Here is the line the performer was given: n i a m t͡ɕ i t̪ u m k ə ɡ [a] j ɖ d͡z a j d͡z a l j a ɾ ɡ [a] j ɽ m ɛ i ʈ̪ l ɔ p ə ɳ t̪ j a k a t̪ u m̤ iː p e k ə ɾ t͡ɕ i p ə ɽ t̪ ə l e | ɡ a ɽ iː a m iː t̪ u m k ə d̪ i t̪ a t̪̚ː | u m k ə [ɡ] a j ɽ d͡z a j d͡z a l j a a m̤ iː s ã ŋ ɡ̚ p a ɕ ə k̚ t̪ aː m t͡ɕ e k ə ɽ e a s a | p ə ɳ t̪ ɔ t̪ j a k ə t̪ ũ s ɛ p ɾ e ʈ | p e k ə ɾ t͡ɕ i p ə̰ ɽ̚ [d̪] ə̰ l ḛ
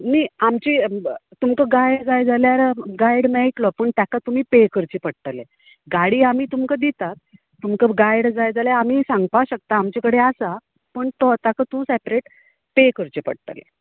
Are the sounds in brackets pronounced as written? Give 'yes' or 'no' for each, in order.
yes, yes, yes, no

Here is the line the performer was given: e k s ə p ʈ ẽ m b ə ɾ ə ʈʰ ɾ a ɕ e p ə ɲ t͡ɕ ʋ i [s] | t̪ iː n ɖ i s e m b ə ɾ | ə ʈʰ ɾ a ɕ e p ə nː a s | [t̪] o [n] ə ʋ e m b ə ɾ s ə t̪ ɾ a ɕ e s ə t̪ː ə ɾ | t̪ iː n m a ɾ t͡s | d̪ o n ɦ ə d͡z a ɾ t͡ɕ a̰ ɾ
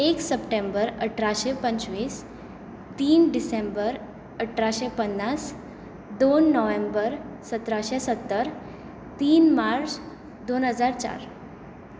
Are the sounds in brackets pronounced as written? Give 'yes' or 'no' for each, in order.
yes, no, no

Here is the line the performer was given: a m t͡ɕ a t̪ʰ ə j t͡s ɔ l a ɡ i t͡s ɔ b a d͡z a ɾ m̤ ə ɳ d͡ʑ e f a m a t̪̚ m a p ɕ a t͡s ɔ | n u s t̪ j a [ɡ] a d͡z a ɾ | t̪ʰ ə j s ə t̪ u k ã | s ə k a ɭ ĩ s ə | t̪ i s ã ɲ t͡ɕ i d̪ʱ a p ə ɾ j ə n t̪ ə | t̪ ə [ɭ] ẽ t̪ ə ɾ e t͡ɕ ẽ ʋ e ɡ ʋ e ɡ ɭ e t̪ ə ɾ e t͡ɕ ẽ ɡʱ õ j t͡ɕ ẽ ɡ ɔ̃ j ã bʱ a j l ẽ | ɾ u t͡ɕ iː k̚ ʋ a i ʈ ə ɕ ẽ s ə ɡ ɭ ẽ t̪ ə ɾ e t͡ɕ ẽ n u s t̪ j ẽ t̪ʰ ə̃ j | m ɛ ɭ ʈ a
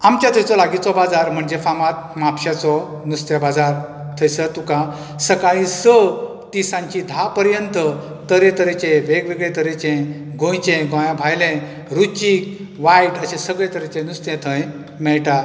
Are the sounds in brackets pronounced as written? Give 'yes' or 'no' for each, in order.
no, no

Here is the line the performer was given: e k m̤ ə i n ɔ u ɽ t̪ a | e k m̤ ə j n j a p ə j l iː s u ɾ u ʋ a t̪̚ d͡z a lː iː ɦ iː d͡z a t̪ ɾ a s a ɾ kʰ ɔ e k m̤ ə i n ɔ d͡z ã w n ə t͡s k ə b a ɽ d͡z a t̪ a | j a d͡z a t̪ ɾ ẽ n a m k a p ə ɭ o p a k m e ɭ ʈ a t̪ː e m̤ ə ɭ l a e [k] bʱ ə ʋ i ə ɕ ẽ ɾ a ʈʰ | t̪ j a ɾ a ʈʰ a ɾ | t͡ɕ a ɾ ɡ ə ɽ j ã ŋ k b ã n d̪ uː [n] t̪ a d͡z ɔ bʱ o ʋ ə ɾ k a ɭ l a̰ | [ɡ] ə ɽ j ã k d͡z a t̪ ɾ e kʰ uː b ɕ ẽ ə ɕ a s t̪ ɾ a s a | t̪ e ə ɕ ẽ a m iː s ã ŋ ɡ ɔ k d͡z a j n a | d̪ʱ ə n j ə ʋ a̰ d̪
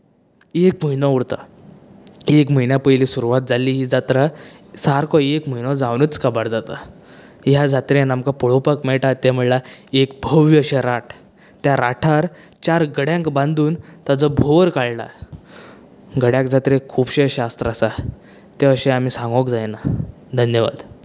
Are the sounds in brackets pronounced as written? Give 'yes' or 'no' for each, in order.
yes, yes, yes

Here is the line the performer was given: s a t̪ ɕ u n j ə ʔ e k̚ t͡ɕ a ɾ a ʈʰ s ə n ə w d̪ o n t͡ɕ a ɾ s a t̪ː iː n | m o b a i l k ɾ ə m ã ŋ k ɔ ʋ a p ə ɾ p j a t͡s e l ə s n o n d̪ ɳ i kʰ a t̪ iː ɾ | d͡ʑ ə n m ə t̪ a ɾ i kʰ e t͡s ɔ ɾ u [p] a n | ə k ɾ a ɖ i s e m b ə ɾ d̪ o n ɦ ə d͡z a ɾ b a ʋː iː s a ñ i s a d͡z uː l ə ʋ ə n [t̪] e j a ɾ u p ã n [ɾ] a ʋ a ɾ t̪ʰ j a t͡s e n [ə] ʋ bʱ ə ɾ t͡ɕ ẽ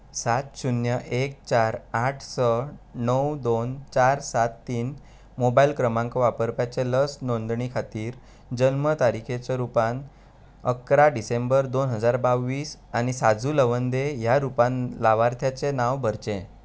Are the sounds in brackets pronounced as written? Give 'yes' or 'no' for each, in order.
yes, no, no, no

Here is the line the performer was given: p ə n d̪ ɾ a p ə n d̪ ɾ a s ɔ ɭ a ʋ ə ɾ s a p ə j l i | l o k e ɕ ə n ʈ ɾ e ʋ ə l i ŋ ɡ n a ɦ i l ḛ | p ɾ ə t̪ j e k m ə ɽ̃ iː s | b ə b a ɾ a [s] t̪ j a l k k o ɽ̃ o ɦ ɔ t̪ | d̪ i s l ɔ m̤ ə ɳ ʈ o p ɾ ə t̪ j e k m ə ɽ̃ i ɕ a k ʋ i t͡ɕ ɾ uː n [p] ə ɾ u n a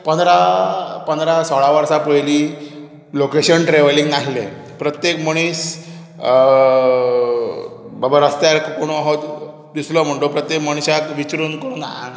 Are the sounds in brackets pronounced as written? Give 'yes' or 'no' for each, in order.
yes, no

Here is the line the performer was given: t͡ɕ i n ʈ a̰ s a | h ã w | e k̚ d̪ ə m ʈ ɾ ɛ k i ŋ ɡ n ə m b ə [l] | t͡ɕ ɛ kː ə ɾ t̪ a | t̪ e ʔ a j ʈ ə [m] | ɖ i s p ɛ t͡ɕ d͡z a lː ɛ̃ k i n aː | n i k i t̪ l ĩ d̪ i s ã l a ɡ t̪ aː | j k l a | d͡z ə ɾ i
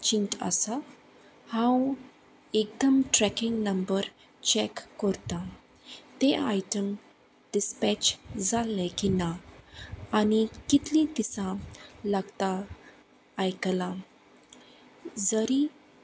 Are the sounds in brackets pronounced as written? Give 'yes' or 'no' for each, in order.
no, yes

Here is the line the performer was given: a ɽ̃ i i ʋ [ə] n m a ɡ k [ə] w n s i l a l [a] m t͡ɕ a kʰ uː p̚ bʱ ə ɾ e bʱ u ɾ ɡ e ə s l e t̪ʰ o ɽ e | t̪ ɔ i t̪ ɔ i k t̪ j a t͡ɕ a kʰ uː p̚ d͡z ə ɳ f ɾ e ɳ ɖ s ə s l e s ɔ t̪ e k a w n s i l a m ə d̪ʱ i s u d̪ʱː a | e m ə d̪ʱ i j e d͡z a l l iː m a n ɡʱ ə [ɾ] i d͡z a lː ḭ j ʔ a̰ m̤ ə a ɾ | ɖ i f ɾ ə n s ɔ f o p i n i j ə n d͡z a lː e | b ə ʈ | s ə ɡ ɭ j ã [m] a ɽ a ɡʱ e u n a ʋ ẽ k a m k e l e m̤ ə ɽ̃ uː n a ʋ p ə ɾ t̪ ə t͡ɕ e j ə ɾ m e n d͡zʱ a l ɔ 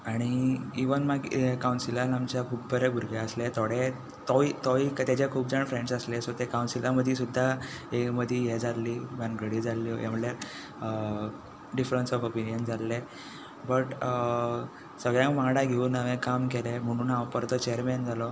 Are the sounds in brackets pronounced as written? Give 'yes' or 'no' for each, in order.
yes, no, yes, no, yes

